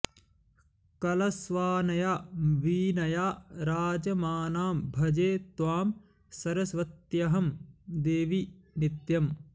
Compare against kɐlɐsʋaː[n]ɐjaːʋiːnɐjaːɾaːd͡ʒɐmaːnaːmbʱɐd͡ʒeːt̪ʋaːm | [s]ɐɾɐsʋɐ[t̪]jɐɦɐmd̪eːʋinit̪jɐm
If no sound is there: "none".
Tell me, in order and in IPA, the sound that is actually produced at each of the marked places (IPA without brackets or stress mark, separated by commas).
n, s, t̪